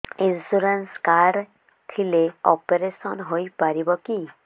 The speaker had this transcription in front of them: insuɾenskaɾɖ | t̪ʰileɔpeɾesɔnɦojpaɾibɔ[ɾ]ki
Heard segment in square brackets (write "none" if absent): none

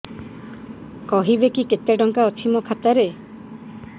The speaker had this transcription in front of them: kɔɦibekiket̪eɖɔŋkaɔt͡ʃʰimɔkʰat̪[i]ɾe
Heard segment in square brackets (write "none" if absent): a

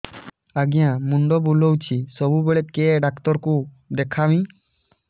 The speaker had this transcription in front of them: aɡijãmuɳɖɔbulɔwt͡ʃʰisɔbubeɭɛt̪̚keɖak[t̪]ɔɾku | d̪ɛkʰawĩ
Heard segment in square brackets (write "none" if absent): t̪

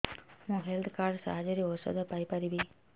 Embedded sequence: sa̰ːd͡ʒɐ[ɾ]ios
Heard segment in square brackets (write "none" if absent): ɾ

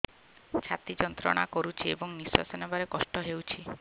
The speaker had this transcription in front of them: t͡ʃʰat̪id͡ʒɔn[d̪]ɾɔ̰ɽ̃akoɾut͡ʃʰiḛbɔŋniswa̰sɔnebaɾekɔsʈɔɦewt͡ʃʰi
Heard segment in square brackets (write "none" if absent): t̪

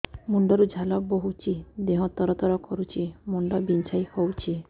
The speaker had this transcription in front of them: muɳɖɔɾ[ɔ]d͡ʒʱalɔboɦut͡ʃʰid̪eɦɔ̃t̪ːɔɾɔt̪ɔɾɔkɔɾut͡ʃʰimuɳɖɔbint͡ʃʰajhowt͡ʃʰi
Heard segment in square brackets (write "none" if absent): u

